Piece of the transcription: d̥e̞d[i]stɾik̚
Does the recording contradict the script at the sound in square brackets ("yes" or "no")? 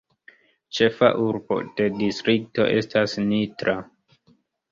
no